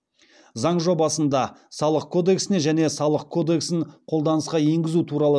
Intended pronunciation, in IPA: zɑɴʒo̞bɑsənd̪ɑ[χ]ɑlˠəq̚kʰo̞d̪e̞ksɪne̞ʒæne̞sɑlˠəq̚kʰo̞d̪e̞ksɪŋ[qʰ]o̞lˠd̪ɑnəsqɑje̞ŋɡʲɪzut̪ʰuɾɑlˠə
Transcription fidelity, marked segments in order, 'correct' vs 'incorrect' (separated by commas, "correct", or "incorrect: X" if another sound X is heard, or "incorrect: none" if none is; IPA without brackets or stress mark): incorrect: s, correct